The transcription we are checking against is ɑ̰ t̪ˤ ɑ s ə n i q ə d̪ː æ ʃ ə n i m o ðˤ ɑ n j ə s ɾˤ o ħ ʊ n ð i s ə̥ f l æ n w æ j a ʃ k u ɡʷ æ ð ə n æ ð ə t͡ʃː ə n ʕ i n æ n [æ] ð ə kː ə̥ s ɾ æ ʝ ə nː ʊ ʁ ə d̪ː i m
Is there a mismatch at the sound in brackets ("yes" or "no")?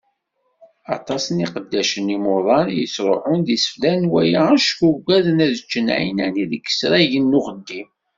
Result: yes